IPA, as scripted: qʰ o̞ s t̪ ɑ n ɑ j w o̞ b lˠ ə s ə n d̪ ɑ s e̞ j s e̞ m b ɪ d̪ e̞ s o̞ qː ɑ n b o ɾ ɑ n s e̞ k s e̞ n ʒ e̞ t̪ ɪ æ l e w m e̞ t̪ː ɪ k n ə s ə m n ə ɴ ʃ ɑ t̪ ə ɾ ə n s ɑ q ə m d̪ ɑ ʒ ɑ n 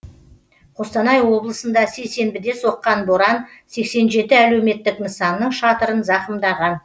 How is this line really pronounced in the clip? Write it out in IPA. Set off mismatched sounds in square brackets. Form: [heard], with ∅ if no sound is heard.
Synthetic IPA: qʰ o̞ s t̪ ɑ n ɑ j w o̞ b lˠ ə s ə n d̪ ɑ s e̞ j s e̞ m b ɪ d̪ e̞ s o̞ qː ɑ n b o ɾ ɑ n s e̞ k s e̞ n ʒ e̞ t̪ ɪ æ l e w m e̞ t̪ː ɪ k n ə s [ɑ] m n ə ɴ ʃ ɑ t̪ ə ɾ ə n [z] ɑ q ə m d̪ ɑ [ʁ] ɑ n